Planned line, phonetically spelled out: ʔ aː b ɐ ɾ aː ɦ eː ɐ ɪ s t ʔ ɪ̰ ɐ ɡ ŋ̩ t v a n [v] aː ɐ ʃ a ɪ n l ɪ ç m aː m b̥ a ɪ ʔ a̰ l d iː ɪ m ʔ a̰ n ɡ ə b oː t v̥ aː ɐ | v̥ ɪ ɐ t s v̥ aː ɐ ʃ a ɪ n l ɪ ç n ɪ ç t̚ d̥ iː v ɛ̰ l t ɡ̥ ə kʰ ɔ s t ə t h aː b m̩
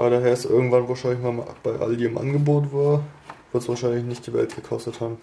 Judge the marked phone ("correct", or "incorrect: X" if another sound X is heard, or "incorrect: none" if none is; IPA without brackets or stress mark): correct